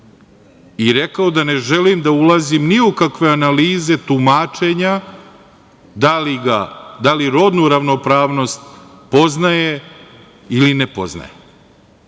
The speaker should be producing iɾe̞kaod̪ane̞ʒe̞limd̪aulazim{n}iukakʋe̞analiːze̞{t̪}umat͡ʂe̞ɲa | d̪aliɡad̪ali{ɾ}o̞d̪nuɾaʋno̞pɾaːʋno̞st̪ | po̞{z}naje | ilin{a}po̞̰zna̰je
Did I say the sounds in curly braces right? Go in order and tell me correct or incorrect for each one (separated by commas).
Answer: correct, correct, correct, correct, incorrect